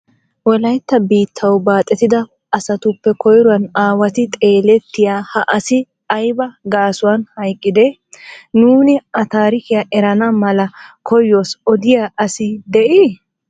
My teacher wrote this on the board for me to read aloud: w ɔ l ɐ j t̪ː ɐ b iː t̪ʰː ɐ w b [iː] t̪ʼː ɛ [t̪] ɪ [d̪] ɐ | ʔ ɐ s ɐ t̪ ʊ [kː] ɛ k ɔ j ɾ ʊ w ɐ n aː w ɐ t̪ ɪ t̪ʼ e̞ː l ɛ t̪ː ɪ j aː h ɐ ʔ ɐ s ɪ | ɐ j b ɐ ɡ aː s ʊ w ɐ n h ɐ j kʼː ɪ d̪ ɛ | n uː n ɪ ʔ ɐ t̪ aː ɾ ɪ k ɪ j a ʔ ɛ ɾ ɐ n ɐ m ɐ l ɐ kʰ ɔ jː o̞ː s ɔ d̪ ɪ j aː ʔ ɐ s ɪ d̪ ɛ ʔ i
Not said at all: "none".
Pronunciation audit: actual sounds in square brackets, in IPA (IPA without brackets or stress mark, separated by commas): aː, t̪, d̪, pː